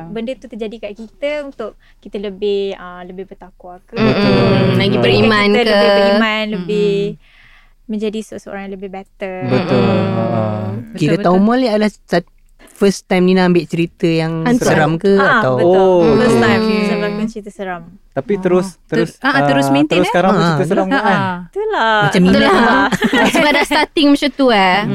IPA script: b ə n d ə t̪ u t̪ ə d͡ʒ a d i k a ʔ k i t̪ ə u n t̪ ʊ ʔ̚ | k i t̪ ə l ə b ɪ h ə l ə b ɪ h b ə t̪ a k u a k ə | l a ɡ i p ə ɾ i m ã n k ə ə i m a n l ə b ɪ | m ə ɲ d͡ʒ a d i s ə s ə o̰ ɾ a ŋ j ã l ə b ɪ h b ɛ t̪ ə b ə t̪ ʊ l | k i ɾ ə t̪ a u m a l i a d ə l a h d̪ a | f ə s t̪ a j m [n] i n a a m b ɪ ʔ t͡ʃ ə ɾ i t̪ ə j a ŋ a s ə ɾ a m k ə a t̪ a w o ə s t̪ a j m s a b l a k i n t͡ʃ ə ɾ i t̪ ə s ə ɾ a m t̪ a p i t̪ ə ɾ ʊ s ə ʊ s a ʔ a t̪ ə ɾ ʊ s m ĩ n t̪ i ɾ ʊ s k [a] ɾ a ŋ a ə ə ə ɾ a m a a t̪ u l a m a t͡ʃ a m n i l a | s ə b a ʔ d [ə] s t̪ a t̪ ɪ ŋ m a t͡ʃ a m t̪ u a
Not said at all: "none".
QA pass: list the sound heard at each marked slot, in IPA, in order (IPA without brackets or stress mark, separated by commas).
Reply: n, a, a